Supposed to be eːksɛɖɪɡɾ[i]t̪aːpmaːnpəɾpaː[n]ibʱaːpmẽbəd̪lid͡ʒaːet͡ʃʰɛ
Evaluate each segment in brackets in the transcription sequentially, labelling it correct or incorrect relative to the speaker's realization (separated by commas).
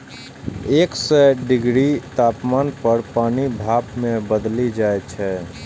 correct, correct